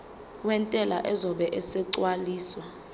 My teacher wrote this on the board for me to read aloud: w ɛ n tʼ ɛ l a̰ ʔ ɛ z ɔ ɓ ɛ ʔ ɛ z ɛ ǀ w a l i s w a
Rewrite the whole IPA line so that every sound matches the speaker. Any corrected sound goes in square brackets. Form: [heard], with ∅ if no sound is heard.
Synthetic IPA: w ɛ n tʼ ɛ l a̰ ʔ ɛ z ɔ ɓ ɛ ʔ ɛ [s] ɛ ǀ w a l [iː] s w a